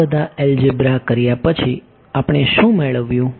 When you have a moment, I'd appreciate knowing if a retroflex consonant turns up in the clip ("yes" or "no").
yes